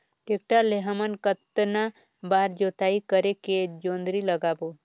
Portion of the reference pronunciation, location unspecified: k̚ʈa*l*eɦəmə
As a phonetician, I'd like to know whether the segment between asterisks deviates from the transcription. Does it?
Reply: no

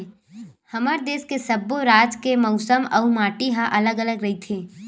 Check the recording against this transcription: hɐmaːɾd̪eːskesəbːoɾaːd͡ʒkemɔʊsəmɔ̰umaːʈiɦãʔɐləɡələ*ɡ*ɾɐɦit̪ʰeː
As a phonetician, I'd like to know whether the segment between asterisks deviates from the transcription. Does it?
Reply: no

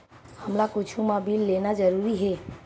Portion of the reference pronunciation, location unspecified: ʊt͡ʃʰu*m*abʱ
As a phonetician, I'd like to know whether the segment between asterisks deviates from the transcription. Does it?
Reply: no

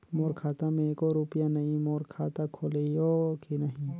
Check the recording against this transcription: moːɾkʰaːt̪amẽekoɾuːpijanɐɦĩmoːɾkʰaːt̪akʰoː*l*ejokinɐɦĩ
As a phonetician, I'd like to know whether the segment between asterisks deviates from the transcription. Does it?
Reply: no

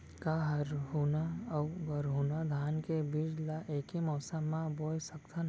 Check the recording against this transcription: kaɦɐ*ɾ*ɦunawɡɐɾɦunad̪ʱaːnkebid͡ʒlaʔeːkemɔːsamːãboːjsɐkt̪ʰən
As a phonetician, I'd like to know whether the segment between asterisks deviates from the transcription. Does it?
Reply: no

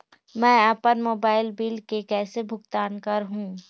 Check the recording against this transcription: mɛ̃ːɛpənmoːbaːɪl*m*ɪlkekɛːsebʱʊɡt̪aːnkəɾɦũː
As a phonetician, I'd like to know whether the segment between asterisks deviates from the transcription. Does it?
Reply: yes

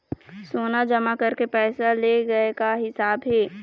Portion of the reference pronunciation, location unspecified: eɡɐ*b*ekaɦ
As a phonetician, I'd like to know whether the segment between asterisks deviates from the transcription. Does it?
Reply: yes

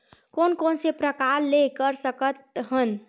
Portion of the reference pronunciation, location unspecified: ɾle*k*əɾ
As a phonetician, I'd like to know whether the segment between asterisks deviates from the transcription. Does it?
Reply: no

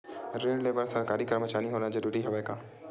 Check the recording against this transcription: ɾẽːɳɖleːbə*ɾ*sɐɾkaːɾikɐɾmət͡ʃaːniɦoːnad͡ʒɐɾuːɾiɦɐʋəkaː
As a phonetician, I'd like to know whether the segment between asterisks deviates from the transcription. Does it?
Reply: no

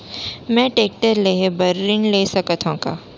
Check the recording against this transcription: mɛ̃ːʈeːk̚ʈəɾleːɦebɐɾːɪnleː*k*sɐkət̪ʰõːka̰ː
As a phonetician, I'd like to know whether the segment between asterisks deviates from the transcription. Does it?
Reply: yes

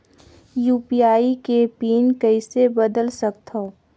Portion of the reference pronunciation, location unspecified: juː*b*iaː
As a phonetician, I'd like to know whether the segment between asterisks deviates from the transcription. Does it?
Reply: yes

